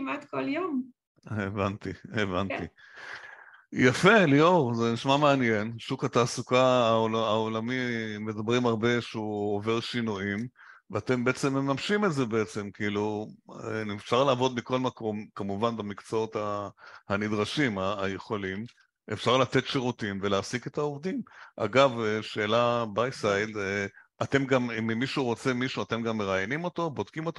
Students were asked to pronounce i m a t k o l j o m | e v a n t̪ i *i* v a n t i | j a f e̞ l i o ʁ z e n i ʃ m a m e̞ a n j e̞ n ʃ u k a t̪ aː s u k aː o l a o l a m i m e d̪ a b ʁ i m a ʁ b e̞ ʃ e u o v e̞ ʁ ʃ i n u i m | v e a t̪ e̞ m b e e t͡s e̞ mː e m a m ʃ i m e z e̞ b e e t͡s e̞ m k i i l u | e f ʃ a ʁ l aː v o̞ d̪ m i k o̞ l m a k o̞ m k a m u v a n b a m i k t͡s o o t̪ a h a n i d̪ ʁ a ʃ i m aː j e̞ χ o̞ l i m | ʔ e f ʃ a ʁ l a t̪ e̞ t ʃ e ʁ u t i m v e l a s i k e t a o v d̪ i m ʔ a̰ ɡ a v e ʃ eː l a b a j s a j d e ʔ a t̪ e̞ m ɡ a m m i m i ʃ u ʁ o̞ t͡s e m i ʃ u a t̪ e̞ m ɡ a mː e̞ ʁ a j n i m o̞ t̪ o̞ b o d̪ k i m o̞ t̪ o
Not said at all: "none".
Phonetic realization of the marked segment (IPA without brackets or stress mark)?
e